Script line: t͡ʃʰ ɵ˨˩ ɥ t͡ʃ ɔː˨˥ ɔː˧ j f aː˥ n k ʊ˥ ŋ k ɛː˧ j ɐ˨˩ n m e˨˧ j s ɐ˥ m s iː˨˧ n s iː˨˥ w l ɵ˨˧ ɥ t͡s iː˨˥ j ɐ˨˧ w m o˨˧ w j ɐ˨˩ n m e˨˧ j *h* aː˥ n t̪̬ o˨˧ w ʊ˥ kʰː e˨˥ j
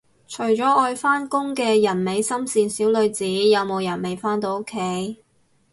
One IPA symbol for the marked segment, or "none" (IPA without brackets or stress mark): f